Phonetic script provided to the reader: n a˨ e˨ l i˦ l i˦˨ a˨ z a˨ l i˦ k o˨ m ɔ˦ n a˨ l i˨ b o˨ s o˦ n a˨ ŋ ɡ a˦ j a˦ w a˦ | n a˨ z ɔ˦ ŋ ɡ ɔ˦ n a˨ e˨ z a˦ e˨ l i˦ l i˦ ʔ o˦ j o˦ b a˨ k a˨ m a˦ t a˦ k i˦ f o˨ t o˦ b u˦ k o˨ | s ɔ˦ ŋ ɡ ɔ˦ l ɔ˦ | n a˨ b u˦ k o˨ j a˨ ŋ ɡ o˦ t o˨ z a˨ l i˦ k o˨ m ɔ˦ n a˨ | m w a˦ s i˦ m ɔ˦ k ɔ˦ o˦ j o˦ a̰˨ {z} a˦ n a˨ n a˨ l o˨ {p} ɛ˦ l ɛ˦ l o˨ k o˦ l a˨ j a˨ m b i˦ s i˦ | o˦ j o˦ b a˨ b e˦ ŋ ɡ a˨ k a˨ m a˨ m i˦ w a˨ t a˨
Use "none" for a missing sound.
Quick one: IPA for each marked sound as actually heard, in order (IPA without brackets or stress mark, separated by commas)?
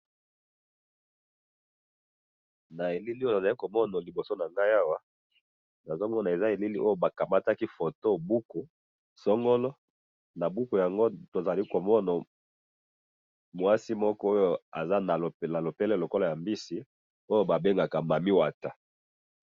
z, p